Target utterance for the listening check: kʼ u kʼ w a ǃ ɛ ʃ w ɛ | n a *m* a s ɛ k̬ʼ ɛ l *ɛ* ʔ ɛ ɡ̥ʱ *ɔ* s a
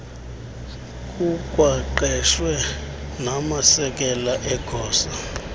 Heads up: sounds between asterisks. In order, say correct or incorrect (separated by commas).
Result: correct, incorrect, incorrect